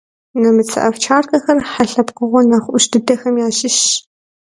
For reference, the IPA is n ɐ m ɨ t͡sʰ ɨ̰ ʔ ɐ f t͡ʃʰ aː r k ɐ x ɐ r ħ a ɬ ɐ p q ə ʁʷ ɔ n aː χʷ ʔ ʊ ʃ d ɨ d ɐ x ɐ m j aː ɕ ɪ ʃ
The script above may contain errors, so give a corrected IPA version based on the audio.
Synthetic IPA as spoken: n ɐ m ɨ t͡sʰ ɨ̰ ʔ ɐ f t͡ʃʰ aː r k ɐ x ɐ r ħ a ɬ ɐ p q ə ʁʷ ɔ n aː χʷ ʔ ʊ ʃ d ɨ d ɐ x ɐ m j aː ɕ ɪ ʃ